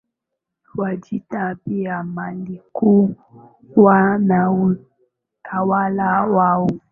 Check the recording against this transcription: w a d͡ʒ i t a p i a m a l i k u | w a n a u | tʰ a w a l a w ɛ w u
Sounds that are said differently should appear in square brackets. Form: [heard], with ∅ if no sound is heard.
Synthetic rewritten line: w a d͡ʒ i t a p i a m a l i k u | w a n a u | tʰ a w a l a w [a] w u